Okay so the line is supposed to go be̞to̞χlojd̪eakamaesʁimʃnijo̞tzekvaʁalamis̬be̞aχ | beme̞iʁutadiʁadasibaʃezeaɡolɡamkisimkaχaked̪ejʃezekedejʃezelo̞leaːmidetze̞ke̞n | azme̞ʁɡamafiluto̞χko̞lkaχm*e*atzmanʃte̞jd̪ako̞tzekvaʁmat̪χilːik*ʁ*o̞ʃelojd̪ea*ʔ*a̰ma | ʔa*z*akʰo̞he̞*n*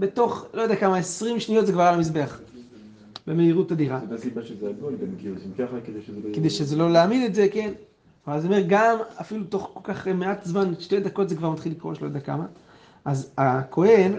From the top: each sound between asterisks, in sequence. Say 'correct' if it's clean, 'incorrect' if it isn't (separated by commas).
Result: correct, correct, incorrect, correct, correct